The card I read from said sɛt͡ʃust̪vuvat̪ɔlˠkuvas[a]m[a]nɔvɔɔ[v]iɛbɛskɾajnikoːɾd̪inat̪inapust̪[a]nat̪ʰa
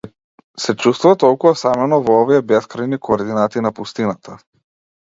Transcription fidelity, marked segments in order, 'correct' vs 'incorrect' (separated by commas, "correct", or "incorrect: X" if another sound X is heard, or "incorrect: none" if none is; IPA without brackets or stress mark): correct, incorrect: ɛ, correct, incorrect: i